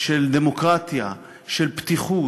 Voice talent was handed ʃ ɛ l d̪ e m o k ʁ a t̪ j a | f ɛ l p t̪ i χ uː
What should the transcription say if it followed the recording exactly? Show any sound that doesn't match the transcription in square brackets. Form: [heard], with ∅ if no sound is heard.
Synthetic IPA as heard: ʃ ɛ l d̪ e m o k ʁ a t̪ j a | [ʃ] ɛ l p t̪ i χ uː